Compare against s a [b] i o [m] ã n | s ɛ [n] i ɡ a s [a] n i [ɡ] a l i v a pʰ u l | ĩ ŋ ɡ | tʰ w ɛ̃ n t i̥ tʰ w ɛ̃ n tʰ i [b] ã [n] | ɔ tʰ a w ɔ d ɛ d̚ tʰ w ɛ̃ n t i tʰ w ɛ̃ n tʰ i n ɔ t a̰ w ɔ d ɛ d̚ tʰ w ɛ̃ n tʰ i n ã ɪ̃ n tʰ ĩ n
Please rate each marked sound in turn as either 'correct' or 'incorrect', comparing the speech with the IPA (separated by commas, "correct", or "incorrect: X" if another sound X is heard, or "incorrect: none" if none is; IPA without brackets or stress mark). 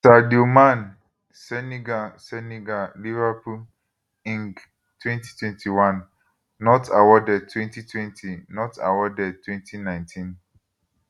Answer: incorrect: d, correct, correct, incorrect: ɛ, correct, incorrect: w, incorrect: nː